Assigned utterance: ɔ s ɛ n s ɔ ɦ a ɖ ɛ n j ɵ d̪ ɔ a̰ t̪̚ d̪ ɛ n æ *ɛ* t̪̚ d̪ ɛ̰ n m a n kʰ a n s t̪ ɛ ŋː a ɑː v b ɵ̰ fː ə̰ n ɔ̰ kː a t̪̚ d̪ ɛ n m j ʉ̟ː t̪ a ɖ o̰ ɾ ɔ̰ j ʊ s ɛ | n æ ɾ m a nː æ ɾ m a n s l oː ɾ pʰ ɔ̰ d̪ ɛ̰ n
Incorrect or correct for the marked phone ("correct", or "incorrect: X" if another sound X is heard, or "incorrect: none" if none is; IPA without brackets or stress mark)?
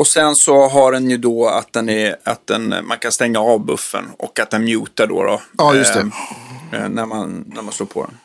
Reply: incorrect: a